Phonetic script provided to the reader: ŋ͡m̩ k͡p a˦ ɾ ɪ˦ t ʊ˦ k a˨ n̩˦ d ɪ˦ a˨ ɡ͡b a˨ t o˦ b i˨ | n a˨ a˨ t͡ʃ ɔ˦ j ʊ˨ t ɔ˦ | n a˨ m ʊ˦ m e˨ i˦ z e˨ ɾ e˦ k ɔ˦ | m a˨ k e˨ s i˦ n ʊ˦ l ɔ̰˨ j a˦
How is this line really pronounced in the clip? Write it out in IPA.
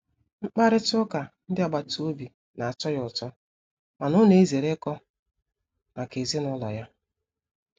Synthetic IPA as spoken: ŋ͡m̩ k͡p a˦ ɾ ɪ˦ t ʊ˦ k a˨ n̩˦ d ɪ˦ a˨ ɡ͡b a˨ t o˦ b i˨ | n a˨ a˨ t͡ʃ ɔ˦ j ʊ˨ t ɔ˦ | m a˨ n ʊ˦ n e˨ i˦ z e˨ ɾ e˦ k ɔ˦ | m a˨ k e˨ z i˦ n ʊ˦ l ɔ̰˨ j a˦